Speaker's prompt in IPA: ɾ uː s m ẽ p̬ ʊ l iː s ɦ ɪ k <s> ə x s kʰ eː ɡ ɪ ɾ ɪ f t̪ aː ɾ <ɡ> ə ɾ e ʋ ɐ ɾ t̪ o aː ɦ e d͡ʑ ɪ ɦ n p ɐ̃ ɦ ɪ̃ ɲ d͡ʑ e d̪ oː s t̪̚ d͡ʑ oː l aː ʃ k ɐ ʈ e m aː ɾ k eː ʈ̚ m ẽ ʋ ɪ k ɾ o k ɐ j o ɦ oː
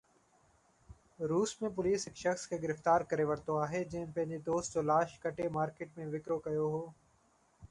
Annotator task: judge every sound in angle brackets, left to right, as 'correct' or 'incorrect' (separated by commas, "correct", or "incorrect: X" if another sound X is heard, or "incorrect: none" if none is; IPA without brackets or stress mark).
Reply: incorrect: ʃ, incorrect: k